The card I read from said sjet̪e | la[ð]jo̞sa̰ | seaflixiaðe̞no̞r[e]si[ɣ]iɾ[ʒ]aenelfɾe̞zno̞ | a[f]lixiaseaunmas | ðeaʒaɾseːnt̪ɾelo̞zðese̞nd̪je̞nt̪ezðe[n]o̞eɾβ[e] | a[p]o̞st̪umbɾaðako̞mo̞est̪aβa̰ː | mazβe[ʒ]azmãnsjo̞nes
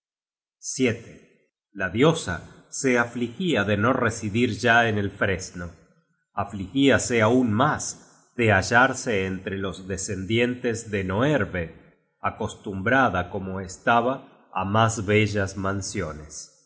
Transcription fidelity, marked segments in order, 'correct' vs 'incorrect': correct, correct, incorrect: ð, correct, correct, correct, correct, incorrect: k, correct

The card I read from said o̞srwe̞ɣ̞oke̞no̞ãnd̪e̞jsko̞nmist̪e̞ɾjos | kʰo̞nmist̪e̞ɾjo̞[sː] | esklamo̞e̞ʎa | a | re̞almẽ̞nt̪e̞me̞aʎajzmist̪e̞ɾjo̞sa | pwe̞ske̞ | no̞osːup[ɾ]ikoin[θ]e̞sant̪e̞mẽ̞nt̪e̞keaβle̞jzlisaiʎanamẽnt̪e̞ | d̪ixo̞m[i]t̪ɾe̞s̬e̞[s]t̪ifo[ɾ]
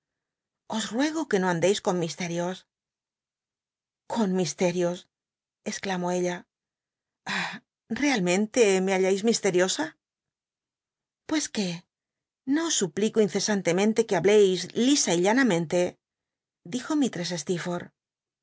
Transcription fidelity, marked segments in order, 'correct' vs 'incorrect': incorrect: s, incorrect: l, correct, correct, correct, correct

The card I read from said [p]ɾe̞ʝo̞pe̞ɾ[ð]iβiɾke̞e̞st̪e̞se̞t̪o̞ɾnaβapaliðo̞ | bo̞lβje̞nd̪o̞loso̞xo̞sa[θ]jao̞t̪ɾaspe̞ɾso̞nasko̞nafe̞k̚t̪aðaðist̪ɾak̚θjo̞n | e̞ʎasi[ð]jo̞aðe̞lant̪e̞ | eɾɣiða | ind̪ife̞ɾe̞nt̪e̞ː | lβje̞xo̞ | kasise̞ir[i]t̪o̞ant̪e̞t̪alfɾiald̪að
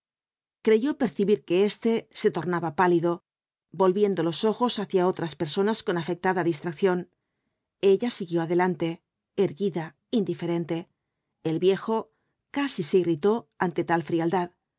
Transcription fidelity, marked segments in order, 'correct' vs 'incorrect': incorrect: k, incorrect: θ, correct, incorrect: ɣ, correct

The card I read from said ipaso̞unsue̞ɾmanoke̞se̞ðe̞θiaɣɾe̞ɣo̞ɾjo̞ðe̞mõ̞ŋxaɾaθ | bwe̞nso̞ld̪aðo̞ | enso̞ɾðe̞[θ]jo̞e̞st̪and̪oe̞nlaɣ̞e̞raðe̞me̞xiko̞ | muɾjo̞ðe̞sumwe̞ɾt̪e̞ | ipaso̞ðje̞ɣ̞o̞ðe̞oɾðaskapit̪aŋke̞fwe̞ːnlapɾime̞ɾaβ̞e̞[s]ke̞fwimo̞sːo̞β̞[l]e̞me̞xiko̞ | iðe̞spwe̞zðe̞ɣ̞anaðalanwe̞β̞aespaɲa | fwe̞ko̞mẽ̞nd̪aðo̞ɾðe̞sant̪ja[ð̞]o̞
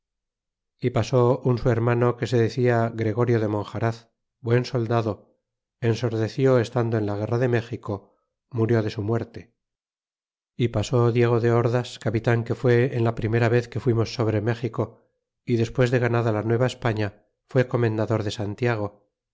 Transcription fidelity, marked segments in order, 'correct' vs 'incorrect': correct, incorrect: θ, incorrect: ɾ, incorrect: ɣ̞

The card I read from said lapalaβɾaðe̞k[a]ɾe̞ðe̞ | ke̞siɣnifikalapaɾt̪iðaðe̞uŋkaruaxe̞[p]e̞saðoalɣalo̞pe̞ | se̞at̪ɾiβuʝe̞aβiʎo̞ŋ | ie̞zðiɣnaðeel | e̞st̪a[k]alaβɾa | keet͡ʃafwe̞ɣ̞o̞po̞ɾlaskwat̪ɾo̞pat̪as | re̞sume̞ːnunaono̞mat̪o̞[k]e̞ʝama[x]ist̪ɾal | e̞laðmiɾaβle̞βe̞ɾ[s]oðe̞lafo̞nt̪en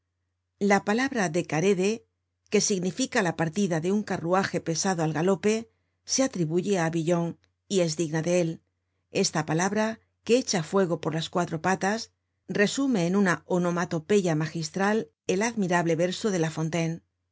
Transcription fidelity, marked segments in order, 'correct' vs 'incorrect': correct, correct, incorrect: p, incorrect: p, correct, correct

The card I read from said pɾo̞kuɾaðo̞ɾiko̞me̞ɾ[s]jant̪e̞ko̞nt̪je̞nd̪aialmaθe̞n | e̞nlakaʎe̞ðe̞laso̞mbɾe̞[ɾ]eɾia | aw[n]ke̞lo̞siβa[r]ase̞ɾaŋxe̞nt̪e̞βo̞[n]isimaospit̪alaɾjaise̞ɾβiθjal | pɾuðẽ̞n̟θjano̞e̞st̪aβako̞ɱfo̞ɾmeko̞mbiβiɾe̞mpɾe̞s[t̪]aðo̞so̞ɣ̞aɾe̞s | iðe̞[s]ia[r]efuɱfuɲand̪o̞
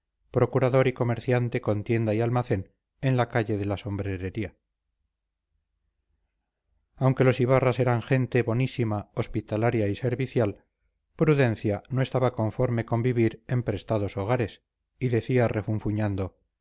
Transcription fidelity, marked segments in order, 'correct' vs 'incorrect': incorrect: θ, correct, incorrect: ŋ, correct, correct, correct, incorrect: θ, correct

